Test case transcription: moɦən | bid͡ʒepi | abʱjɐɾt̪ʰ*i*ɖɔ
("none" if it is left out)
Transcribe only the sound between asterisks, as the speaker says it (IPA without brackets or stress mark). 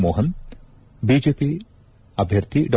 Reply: i